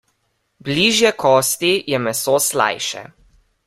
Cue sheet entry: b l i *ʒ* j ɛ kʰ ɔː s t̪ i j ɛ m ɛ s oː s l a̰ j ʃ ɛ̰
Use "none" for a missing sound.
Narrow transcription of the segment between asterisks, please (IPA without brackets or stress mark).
ʒ